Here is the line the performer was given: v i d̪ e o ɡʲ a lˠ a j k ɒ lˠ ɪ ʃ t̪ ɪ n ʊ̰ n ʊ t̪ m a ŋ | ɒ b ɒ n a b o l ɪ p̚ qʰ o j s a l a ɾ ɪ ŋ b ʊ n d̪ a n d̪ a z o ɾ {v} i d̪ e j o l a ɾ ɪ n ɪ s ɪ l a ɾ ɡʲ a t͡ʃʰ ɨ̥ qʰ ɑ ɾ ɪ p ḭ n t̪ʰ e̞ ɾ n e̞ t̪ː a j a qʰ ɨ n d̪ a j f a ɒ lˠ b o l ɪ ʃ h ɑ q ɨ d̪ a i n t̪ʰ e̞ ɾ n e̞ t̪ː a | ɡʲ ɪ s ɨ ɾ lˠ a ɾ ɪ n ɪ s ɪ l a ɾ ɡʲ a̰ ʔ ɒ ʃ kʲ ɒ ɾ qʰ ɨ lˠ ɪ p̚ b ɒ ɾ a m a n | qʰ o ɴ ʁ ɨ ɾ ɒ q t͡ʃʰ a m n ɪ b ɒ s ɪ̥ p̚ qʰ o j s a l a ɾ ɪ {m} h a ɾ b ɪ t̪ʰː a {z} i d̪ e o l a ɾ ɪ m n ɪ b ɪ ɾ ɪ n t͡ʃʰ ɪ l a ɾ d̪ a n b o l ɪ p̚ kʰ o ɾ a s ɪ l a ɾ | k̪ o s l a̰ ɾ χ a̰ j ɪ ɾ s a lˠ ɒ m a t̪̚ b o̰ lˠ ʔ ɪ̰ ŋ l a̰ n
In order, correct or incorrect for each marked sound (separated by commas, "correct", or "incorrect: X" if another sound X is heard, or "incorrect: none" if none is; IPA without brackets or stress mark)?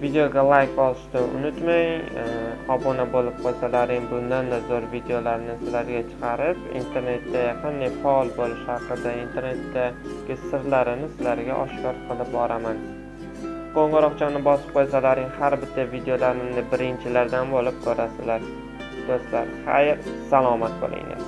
correct, incorrect: ŋ, incorrect: v